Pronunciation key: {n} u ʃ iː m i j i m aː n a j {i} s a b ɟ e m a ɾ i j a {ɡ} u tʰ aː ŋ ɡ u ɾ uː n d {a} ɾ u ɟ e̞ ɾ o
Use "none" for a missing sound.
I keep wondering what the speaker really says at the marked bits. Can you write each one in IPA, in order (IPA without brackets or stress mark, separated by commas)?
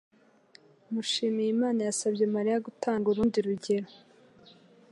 m, a, ɡ, i